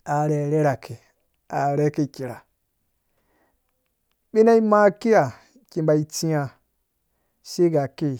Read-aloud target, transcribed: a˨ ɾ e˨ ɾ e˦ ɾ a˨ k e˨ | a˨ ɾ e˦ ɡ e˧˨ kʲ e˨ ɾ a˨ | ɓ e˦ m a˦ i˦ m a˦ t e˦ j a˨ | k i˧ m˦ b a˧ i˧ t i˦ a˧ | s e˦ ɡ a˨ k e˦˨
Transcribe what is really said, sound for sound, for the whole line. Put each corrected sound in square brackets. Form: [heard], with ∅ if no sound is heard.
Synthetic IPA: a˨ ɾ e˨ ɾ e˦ ɾ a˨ k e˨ | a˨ ɾ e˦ [k] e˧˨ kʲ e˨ ɾ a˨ | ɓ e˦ [n] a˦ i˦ m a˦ [k] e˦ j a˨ | k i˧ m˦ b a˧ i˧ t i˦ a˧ | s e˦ ɡ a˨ k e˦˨